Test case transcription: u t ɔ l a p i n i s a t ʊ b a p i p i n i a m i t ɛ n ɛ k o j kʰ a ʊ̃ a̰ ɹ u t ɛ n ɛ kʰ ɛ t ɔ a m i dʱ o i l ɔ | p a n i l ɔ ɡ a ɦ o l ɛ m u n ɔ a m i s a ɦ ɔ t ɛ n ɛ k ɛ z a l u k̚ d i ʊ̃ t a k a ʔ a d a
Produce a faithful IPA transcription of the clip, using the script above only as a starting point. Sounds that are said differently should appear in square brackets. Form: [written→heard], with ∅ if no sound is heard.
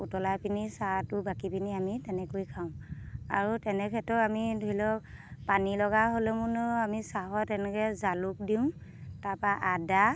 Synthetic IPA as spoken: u t ɔ l a p i n i s a t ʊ b a [p→k] i p i n i a m i t ɛ n ɛ k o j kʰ a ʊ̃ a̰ ɹ u t ɛ n ɛ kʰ ɛ t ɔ a m i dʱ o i l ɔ | p a n i l ɔ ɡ a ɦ o l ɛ m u n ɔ a m i s a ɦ ɔ t ɛ n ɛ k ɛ z a l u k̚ d i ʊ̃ t a [k→p] a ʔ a d a